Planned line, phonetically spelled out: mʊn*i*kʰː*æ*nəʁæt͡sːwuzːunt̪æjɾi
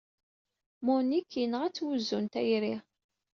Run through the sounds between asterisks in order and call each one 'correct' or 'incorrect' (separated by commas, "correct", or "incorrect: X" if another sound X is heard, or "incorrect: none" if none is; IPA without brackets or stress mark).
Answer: correct, incorrect: i